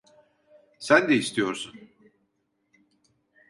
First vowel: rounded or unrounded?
unrounded